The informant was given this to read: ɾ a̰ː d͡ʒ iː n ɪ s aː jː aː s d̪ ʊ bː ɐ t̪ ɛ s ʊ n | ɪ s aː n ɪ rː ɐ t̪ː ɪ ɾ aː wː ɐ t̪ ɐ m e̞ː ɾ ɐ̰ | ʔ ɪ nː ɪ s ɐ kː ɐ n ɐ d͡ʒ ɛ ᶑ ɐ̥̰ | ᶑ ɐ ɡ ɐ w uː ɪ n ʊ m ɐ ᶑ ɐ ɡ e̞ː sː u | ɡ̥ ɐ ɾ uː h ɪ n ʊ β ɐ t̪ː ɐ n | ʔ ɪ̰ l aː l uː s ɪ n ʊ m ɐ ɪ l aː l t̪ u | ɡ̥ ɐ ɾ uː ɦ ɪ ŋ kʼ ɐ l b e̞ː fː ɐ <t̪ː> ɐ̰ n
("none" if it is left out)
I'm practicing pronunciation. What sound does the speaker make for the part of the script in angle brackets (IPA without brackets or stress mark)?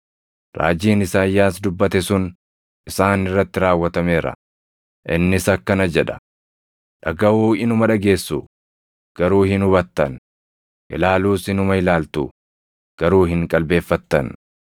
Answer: t̪ː